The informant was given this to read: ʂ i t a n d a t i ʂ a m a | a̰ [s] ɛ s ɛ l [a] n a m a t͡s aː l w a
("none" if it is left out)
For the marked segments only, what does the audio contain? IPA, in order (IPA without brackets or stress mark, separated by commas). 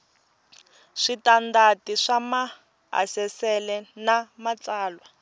s, ɛ